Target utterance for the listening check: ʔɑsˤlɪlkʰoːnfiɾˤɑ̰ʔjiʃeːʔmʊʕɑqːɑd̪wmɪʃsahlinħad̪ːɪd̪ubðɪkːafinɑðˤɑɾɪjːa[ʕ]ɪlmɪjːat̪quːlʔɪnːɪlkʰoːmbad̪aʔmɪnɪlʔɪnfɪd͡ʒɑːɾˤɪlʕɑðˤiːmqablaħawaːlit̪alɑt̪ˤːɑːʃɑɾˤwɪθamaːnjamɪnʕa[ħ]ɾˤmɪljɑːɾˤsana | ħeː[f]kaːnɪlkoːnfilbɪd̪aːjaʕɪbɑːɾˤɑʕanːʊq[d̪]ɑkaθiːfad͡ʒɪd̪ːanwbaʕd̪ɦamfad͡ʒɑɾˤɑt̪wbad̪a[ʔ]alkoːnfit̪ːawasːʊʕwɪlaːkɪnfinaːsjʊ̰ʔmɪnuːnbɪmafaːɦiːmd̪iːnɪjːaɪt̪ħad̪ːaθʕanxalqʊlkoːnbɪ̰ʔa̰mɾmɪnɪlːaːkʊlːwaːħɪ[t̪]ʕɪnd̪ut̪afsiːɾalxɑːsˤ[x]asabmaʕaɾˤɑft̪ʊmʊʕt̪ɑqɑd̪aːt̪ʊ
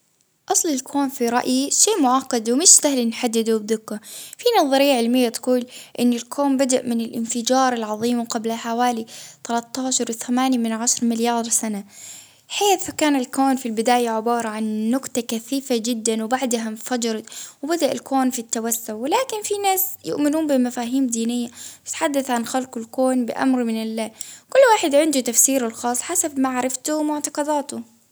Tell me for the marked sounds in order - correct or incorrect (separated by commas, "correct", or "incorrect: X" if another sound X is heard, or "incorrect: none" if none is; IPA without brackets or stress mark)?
correct, incorrect: ʃ, incorrect: θ, incorrect: t̪, correct, incorrect: d̪, incorrect: ħ